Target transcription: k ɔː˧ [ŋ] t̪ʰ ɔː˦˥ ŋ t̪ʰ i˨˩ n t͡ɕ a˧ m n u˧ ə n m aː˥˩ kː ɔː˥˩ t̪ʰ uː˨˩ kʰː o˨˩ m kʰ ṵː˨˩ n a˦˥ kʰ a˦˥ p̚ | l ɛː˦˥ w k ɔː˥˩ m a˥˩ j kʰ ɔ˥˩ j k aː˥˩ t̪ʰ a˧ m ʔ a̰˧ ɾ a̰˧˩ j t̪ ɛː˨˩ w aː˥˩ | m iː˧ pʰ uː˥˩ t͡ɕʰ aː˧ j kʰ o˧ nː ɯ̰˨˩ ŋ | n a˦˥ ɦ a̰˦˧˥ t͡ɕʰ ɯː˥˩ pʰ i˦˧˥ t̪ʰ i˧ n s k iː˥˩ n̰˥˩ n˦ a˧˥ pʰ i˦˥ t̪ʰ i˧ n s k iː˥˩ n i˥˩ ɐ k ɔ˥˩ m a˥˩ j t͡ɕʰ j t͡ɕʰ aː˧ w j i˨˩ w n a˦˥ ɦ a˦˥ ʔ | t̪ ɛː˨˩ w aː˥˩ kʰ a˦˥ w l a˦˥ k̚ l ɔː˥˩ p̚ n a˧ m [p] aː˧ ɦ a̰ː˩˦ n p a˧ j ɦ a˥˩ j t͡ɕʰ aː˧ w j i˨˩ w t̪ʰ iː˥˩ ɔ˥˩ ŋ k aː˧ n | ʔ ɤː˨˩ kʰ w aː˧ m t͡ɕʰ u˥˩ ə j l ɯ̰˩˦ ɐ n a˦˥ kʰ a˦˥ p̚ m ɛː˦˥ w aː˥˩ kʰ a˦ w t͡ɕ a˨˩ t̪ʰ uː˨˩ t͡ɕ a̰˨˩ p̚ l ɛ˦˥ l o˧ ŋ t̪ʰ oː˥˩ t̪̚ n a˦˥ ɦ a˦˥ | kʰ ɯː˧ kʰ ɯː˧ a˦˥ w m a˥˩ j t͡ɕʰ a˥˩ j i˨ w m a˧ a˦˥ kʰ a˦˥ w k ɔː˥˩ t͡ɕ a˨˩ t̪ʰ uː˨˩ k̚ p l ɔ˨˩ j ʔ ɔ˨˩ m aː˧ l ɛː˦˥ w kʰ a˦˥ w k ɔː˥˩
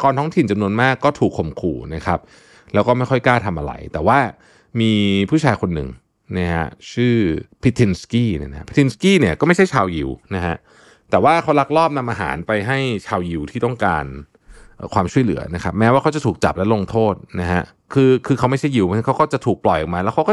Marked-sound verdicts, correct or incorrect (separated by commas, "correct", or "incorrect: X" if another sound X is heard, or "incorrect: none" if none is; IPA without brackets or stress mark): incorrect: n, incorrect: ʔ